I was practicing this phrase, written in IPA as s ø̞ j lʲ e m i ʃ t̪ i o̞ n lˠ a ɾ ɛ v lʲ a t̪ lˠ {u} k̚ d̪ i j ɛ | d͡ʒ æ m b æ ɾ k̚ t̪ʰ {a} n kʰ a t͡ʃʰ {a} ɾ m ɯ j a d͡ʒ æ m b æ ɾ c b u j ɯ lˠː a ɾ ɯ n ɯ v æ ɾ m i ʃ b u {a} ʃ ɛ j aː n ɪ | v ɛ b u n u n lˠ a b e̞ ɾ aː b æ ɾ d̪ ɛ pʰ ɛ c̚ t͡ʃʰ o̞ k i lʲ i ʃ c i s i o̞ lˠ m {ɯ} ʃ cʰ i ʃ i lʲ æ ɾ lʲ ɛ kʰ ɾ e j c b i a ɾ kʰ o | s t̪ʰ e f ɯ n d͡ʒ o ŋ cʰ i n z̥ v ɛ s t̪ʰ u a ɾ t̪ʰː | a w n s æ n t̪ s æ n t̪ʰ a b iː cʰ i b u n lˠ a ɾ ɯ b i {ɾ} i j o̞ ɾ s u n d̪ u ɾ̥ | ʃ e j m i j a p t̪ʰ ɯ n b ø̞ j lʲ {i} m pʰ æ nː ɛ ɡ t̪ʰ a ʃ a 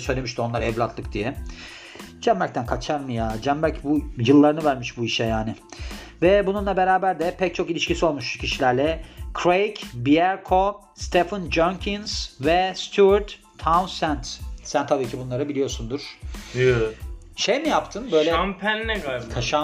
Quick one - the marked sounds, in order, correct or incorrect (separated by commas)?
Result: incorrect, incorrect, correct, incorrect, incorrect, incorrect, incorrect